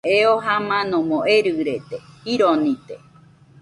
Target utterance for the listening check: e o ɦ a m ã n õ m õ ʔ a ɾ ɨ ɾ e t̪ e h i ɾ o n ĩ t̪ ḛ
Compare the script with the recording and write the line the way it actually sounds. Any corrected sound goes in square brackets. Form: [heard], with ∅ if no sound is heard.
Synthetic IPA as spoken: e o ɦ a m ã n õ m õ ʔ [e] ɾ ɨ ɾ e t̪ e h i ɾ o n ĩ t̪ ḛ